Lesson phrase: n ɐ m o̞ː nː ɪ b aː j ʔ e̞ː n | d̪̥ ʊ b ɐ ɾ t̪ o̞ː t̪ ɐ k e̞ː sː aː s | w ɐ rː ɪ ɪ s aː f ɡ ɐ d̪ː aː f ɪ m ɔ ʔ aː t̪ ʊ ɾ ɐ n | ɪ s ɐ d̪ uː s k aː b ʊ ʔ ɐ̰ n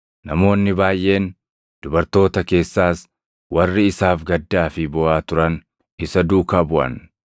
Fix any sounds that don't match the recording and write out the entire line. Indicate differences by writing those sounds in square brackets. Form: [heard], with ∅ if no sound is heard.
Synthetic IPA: n ɐ m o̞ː nː ɪ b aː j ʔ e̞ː n | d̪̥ ʊ b ɐ ɾ t̪ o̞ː t̪ ɐ k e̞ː sː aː s | w ɐ rː ɪ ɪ s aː f ɡ ɐ d̪ː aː f ɪ [b] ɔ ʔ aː t̪ ʊ ɾ ɐ n | ɪ s ɐ d̪ uː [∅] k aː b ʊ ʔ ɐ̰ n

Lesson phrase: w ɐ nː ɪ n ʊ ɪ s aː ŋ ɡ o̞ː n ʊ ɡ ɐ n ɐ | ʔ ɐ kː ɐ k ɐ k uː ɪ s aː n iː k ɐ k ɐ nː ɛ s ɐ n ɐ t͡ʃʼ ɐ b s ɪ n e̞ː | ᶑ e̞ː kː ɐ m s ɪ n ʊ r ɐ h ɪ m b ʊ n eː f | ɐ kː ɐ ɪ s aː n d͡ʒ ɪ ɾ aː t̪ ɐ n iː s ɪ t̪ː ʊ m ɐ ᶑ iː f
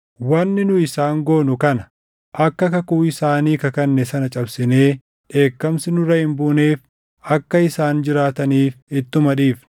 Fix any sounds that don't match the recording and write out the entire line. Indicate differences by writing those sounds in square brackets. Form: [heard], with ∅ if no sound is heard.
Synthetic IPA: w ɐ nː ɪ n ʊ ɪ s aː ŋ ɡ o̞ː n ʊ [k] ɐ n ɐ | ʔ ɐ kː ɐ k ɐ k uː ɪ s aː n iː k ɐ k ɐ nː ɛ s ɐ n ɐ t͡ʃʼ ɐ b s ɪ n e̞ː | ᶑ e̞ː kː ɐ m s ɪ n ʊ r ɐ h ɪ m b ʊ n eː f | ɐ kː ɐ ɪ s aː n d͡ʒ ɪ ɾ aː t̪ ɐ n iː [f] ɪ t̪ː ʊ m ɐ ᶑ iː f

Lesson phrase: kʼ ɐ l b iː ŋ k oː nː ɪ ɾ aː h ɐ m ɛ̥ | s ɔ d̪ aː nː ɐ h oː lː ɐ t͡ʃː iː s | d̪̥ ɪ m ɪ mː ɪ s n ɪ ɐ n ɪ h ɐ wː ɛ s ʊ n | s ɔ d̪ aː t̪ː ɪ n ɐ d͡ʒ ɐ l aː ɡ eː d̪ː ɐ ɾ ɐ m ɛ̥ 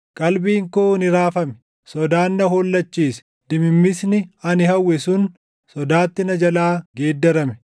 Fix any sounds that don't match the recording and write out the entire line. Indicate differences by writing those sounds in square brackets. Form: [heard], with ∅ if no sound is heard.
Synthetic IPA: kʼ ɐ l b iː ŋ k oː [n] ɪ ɾ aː [f] ɐ m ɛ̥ | s ɔ d̪ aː nː ɐ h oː lː ɐ t͡ʃː iː s | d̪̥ ɪ m ɪ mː ɪ s n ɪ ɐ n ɪ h ɐ wː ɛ s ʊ n | s ɔ d̪ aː t̪ː ɪ n ɐ d͡ʒ ɐ l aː ɡ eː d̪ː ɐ ɾ ɐ m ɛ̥

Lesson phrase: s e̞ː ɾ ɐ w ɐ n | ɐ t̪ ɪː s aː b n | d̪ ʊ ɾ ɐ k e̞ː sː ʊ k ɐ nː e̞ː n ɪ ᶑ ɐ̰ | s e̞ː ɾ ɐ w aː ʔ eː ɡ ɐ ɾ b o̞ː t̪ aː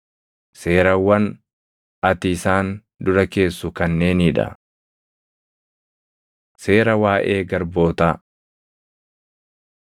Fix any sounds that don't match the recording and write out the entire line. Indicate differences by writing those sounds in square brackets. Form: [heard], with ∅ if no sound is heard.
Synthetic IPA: s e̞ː ɾ ɐ w ɐ n | ɐ t̪ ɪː s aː [∅] n | d̪ ʊ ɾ ɐ k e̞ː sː ʊ k ɐ nː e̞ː n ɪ ᶑ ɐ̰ | s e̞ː ɾ ɐ w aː ʔ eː ɡ ɐ ɾ b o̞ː t̪ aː

